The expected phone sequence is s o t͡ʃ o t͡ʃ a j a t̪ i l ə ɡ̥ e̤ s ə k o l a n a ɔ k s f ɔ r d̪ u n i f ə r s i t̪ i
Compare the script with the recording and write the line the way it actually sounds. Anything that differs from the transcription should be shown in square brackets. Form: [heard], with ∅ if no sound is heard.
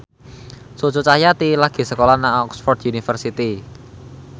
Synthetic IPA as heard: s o t͡ʃ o t͡ʃ a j a t̪ i l [a] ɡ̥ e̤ s ə k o l a n a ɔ k s f ɔ r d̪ u n i f ə r s i t̪ i